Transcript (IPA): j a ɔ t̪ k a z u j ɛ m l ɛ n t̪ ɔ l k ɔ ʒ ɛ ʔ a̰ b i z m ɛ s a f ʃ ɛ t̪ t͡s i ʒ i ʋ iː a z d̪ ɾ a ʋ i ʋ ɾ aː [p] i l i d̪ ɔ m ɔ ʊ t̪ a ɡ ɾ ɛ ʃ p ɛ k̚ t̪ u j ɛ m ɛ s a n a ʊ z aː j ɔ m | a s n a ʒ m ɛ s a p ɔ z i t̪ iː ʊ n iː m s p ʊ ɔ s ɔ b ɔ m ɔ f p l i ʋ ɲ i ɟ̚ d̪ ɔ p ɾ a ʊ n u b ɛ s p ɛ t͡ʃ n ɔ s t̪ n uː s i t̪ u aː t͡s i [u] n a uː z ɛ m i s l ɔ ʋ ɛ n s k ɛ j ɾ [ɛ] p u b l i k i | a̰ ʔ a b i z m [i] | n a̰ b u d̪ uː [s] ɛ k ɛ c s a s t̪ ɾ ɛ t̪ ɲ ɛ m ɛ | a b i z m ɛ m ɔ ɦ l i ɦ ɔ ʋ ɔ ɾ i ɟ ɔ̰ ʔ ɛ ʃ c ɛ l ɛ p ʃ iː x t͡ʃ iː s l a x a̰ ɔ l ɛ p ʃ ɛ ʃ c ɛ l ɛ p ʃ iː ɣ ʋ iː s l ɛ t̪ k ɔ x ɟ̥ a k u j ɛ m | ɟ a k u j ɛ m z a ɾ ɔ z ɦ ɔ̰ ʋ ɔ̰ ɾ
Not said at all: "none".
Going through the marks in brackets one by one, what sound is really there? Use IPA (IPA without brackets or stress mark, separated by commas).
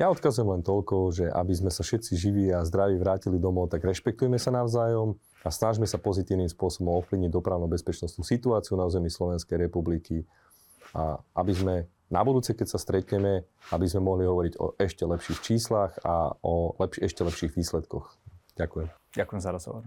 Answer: c, u, ɛ, ɛ, t͡s